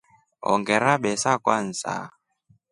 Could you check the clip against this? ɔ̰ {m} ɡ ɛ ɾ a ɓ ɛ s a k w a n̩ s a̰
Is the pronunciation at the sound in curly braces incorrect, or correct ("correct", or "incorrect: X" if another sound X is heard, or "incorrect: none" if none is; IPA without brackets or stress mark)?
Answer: incorrect: ŋ